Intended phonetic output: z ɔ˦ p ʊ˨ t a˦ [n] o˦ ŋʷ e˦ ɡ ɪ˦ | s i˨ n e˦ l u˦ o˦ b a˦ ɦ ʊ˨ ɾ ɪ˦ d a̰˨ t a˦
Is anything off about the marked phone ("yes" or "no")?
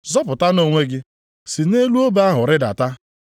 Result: no